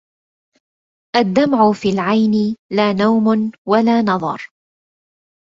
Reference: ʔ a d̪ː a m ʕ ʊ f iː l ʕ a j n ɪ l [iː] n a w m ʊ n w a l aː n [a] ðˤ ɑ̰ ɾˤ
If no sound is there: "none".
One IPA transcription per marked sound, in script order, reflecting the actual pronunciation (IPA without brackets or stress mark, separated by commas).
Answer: aː, ɑ